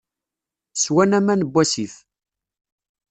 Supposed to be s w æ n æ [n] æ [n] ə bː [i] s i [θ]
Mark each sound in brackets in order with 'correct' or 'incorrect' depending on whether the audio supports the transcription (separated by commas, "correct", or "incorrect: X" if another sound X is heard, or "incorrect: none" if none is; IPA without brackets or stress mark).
incorrect: m, correct, incorrect: æ, correct